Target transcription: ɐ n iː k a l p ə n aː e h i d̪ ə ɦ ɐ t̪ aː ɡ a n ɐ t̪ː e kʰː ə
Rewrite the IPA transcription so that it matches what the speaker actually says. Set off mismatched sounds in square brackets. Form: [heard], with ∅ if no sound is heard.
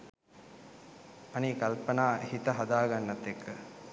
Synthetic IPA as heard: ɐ n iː k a l p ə n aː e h i [t̪] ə ɦ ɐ [d̪] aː ɡ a [nː] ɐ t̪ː e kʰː ə